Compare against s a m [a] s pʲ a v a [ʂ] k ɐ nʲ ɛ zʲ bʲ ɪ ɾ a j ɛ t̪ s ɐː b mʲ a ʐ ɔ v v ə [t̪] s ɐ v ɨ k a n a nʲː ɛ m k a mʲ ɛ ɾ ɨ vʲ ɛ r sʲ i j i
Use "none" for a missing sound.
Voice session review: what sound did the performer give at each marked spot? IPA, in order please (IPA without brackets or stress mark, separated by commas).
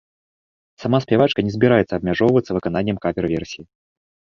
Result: a, t͡ʂ, t̪